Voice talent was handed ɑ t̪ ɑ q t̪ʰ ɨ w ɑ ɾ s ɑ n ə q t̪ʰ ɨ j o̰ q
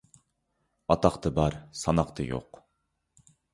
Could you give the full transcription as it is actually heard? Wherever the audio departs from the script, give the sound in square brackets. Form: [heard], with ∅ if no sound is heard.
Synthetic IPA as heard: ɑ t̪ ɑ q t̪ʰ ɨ [b] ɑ ɾ s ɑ n [ɑ] q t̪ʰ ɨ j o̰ q